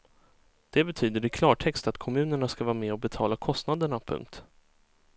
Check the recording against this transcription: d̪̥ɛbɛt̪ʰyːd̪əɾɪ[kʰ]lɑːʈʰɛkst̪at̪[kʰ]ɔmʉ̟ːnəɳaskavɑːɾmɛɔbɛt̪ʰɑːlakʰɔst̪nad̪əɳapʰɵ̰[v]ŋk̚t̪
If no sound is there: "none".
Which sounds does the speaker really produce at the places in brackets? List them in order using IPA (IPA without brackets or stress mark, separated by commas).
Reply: kʰ, kʰ, none